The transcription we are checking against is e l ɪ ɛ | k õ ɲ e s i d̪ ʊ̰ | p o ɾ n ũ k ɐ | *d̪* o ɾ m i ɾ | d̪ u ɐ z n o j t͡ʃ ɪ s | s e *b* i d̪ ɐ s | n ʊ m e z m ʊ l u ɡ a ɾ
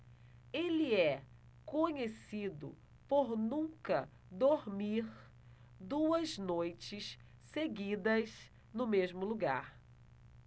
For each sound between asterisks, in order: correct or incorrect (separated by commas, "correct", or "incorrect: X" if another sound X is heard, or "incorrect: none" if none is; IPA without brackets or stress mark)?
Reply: correct, incorrect: ɡ